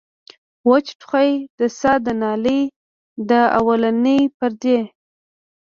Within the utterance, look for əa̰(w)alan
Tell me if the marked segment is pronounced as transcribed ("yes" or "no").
yes